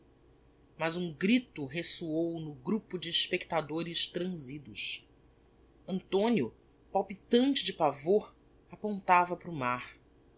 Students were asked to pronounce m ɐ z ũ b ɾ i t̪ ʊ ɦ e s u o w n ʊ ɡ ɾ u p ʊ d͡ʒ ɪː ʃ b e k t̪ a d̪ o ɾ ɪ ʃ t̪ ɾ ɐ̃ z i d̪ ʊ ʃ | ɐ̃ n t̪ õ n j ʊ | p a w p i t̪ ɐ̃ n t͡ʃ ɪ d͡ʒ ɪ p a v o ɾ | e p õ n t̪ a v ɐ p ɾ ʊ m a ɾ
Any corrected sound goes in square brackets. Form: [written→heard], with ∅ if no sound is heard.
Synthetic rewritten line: m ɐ z ũ [b→ɡ] ɾ i t̪ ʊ ɦ e s u o w n ʊ ɡ ɾ u p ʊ d͡ʒ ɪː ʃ [b→p] e k t̪ a d̪ o ɾ ɪ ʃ t̪ ɾ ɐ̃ z i d̪ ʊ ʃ | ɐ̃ n t̪ õ n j ʊ | p a w p i t̪ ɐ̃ n t͡ʃ ɪ d͡ʒ ɪ p a v o ɾ | [e→a] p õ n t̪ a v ɐ p ɾ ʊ m a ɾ